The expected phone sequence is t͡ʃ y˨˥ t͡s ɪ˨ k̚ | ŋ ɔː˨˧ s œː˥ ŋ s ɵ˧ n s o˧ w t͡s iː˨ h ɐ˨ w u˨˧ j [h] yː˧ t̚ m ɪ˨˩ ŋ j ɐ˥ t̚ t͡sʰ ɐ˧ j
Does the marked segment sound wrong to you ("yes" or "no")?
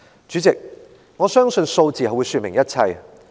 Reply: yes